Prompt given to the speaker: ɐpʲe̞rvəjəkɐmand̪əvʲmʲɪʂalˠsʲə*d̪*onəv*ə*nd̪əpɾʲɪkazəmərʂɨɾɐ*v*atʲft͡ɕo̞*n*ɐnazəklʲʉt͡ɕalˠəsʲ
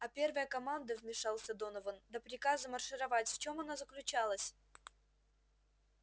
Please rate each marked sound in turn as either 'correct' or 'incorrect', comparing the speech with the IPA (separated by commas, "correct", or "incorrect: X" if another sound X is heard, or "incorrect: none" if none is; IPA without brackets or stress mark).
correct, correct, correct, incorrect: m